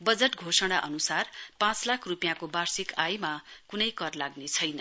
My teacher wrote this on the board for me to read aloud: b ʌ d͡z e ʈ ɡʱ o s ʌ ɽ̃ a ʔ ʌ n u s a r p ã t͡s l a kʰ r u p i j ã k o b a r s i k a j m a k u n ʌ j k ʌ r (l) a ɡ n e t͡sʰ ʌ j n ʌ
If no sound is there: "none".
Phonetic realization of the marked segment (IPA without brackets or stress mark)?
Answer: l